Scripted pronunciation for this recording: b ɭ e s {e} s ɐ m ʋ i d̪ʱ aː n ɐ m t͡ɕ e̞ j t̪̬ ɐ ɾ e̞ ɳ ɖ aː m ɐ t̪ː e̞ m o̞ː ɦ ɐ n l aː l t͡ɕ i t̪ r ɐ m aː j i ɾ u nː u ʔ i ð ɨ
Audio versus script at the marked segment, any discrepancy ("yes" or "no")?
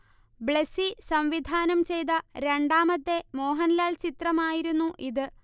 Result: yes